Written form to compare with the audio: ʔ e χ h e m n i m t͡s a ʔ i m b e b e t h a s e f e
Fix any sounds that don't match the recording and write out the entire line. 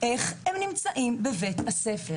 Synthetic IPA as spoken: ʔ e χ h e m n i m t͡s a ʔ i m b e v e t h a s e f e